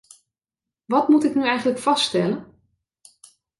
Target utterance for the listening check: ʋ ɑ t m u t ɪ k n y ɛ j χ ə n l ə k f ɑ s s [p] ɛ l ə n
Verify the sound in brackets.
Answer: incorrect: t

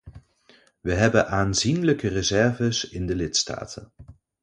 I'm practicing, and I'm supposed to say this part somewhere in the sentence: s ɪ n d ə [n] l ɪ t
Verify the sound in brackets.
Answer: incorrect: none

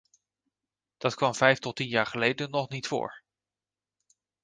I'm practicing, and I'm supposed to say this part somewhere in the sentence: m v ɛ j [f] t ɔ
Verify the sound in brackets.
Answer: correct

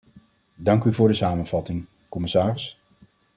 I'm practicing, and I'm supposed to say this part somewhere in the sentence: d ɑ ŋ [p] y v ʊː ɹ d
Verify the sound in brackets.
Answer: incorrect: k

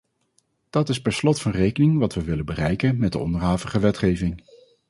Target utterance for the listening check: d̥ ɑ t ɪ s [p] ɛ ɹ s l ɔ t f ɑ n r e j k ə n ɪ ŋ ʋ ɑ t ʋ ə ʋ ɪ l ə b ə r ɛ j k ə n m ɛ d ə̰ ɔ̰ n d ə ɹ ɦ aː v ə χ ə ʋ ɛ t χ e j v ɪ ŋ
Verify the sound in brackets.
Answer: correct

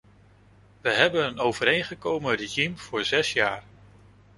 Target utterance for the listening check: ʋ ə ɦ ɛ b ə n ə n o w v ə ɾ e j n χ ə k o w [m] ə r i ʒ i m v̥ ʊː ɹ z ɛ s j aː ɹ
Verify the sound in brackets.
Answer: correct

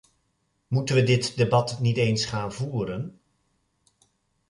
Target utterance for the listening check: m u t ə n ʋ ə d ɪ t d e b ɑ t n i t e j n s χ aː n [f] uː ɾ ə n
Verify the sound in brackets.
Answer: incorrect: v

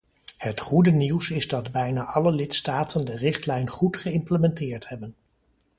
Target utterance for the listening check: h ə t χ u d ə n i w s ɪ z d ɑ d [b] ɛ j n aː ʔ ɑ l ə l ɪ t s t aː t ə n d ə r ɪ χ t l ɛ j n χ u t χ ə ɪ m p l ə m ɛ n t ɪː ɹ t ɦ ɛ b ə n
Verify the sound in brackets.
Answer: correct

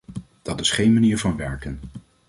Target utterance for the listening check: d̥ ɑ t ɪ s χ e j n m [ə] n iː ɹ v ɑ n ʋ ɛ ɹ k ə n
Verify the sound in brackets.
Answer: incorrect: a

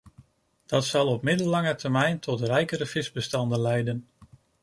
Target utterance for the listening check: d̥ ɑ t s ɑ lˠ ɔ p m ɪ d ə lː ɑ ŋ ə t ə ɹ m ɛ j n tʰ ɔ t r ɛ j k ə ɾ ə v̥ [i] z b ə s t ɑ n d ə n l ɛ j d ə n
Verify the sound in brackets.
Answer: incorrect: ɪ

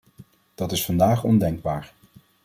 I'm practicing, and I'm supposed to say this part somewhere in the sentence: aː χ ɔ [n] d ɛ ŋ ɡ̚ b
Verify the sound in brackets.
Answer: correct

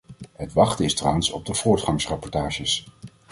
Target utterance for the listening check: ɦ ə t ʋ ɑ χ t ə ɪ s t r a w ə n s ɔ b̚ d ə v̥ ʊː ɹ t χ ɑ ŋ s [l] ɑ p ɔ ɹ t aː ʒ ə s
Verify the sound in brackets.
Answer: incorrect: r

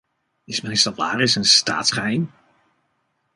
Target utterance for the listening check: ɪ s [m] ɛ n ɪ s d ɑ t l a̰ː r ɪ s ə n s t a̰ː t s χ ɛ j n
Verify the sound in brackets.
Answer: correct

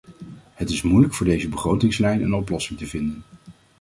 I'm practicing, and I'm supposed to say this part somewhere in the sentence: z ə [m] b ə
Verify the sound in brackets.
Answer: incorrect: none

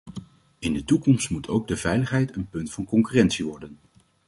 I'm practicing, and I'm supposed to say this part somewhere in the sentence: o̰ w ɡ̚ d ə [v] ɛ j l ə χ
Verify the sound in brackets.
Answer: correct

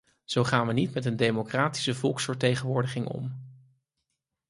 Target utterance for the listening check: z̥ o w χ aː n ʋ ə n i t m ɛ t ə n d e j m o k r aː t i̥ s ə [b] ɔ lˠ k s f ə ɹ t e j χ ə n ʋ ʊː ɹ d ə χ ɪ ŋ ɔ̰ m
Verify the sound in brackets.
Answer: incorrect: v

